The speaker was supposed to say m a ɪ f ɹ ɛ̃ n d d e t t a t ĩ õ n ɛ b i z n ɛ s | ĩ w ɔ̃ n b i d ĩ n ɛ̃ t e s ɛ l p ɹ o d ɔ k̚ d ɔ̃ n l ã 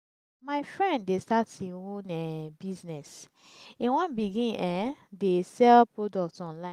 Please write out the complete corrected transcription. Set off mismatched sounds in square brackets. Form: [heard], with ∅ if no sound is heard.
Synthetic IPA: m a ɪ f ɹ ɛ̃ n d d e [s] t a t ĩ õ n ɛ b i z n ɛ s | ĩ w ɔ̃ n b i [ɡ] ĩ n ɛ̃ [d] e s ɛ l p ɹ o d ɔ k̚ [t] ɔ̃ n l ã